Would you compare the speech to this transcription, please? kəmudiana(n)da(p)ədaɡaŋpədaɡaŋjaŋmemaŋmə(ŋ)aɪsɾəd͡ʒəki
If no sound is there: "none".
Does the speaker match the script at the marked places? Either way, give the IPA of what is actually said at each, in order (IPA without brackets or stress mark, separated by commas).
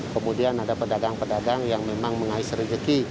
none, p, ŋ